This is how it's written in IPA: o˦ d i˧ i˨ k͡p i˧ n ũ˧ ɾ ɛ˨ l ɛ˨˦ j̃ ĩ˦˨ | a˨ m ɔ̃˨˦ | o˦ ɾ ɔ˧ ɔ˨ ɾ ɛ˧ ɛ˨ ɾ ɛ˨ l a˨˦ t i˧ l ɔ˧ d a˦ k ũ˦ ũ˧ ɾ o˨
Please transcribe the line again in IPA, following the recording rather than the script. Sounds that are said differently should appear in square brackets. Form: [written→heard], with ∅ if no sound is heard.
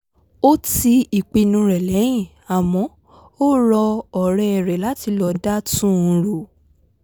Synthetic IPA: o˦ [d→t] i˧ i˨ k͡p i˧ n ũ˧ ɾ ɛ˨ l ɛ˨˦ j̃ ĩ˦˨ | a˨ m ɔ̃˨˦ | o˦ ɾ ɔ˧ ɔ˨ ɾ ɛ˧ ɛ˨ ɾ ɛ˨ l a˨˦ t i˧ l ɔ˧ d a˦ [k→t] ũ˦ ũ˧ ɾ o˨